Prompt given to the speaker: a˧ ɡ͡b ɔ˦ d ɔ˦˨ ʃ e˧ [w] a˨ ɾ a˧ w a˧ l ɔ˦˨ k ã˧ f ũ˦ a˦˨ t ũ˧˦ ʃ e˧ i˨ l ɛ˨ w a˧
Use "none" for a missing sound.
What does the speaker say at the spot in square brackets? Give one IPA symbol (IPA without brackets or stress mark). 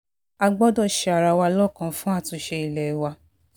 none